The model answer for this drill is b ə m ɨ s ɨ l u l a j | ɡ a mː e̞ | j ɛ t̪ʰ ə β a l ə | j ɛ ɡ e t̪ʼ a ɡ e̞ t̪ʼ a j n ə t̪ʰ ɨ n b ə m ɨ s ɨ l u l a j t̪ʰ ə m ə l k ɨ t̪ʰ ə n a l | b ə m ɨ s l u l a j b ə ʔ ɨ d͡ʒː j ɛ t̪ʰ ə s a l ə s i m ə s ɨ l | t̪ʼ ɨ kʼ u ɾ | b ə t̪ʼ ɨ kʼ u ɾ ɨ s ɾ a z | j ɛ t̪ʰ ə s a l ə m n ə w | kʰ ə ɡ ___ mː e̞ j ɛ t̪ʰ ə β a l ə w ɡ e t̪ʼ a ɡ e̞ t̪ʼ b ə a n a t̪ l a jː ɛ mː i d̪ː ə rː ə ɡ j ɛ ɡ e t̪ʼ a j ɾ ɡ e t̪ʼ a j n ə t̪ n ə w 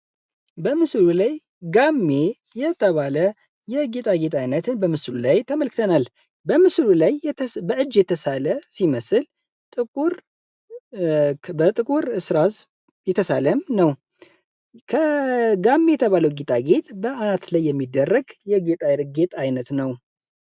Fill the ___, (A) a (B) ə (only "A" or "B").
A